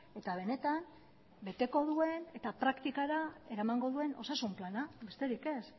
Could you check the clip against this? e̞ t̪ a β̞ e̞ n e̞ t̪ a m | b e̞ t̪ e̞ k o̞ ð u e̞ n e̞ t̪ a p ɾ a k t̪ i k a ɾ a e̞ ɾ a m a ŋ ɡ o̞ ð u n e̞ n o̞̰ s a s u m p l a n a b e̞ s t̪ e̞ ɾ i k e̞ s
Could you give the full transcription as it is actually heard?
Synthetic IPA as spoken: e̞ t̪ a β̞ e̞ n e̞ t̪ a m | b e̞ t̪ e̞ k o̞ ð u e̞ n e̞ t̪ a p ɾ a k t̪ i k a ɾ a e̞ ɾ a m a ŋ ɡ o̞ ð u e̞ n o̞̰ s a s u m p l a n a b e̞ s t̪ e̞ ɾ i k e̞ s